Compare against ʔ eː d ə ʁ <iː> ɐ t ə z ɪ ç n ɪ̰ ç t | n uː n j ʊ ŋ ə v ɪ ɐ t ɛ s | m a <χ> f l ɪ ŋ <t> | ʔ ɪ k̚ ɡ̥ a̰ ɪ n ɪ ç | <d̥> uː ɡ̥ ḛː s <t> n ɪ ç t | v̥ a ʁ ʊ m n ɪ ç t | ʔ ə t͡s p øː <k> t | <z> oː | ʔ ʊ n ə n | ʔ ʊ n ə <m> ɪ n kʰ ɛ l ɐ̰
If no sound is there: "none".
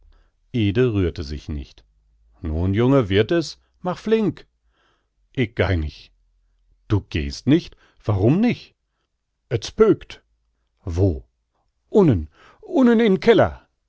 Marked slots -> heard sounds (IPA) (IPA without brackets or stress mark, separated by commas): yː, χ, k, d̥, t, k, v, n